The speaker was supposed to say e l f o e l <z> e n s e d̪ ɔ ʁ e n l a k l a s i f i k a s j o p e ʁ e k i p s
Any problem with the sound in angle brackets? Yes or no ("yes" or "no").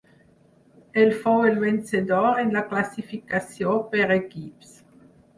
yes